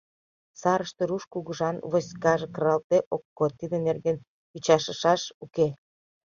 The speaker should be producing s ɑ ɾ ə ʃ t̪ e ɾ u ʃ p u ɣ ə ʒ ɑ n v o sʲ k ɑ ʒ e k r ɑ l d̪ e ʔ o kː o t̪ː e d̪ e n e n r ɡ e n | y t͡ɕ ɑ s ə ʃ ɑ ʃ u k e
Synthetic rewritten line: s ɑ ɾ ə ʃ t̪ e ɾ u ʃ k u ɣ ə ʒ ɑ n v o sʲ k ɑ ʒ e k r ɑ l t̪ e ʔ o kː o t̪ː i d̪ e n e r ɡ e n | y t͡ɕ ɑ ʃ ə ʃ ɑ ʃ u k e